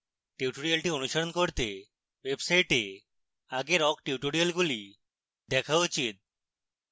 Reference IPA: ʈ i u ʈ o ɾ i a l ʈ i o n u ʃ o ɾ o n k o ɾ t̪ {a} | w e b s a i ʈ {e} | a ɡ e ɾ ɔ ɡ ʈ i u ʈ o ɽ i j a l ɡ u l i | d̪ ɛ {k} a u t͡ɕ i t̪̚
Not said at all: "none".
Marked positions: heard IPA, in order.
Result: e, e, kʰ

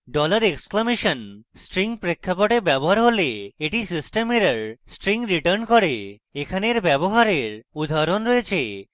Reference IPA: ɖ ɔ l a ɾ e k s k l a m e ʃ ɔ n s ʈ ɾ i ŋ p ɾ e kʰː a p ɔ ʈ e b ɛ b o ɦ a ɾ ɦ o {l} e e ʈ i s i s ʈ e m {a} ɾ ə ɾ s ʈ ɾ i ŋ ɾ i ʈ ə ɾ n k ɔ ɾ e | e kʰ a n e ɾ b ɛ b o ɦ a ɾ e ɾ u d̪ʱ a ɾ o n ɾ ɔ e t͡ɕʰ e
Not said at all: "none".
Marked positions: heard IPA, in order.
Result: l, e

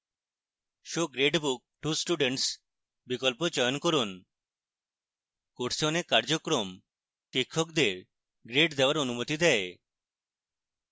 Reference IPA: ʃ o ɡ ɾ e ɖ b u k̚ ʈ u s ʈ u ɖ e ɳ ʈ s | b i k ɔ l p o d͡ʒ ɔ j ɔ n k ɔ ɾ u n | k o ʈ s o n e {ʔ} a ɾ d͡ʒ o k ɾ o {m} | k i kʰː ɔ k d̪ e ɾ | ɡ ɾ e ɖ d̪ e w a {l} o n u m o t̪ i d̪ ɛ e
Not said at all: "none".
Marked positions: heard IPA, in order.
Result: k, m, ɾ

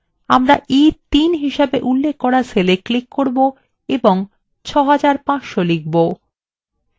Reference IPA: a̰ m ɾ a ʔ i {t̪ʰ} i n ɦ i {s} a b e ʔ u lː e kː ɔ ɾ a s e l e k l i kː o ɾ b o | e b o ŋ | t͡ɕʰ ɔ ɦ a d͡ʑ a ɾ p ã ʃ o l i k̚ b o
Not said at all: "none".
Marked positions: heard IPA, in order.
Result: t̪, ʃ

